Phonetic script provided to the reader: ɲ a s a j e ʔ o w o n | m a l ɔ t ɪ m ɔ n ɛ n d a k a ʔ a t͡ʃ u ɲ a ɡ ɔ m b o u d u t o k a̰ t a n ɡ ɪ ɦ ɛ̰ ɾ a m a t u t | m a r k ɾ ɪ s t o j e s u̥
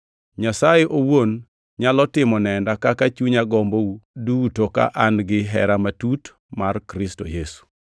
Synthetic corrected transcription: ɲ a s a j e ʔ o w o n | ɲ a l ɔ t ɪ m ɔ n ɛ n d a k a k a t͡ʃ u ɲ a ɡ ɔ m b o u d u t o k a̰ ʔ a n ɡ ɪ ɦ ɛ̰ ɾ a m a t u t | m a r k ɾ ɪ s t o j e s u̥